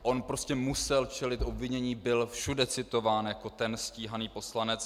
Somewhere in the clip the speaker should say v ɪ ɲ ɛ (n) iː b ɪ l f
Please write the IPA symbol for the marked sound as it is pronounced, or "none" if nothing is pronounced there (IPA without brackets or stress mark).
ɲ